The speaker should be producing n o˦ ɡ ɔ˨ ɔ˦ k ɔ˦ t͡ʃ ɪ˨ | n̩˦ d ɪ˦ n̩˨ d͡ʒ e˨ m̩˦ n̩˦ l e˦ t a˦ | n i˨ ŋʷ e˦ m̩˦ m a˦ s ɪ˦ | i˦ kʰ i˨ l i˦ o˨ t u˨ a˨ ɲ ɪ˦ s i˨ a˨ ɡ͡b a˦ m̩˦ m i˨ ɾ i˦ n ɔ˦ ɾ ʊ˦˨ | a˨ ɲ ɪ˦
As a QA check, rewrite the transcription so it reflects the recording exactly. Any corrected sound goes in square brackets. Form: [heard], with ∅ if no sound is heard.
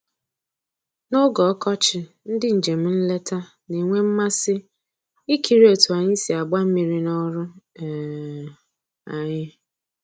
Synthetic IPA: n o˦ ɡ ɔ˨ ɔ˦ k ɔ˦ t͡ʃ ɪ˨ | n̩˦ d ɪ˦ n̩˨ d͡ʒ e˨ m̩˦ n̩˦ l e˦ t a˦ | n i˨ ŋʷ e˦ m̩˦ m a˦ s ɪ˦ | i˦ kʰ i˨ [ɾ] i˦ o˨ t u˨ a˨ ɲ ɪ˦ s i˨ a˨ ɡ͡b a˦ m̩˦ m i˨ ɾ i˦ n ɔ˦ ɾ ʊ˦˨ | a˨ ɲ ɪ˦